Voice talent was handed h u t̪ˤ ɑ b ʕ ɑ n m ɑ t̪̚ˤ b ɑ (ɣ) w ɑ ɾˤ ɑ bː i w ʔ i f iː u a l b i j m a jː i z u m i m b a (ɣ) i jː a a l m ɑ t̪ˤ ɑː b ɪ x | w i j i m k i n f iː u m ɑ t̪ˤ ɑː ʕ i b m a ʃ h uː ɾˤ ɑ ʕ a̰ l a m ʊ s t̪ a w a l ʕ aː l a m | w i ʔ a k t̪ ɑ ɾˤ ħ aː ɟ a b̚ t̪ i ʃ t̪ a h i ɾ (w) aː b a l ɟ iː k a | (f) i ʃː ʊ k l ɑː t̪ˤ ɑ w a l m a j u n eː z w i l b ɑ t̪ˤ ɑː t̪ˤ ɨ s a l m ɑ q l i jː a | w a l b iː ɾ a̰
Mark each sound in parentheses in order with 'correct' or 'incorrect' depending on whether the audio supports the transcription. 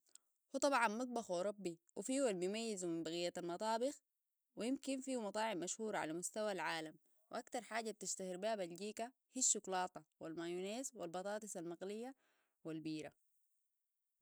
incorrect: x, correct, incorrect: b, incorrect: h

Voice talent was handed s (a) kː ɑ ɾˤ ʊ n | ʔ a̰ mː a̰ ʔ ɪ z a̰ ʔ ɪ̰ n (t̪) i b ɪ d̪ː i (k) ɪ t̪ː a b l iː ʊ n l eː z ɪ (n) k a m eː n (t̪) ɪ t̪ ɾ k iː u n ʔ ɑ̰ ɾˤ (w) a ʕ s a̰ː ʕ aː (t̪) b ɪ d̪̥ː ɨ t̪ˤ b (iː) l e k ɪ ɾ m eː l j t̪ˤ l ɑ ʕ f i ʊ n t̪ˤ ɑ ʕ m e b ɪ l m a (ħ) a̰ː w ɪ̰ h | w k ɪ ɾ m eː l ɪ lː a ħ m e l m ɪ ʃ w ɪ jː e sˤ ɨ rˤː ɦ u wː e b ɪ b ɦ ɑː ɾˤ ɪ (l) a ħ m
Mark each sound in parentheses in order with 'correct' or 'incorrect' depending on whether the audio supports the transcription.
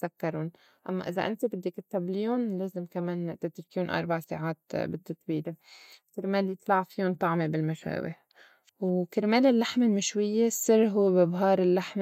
correct, correct, correct, incorrect: m, correct, incorrect: b, correct, correct, incorrect: ʃ, incorrect: lː

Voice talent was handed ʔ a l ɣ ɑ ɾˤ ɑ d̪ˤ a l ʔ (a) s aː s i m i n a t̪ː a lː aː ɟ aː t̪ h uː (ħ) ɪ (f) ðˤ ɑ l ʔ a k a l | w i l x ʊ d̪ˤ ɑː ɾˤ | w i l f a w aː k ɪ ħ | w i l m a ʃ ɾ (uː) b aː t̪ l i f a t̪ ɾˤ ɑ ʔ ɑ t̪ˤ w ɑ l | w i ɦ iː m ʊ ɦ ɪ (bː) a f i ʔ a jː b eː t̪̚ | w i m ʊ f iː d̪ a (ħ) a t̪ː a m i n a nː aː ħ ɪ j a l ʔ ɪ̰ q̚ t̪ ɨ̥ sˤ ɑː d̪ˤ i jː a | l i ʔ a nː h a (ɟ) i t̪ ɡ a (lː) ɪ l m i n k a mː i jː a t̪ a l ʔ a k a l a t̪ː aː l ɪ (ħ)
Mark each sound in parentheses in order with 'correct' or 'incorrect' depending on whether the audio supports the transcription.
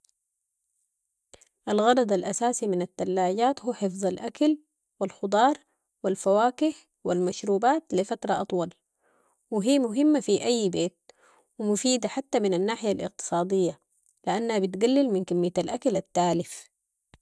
correct, correct, correct, correct, incorrect: mː, correct, incorrect: b, correct, incorrect: f

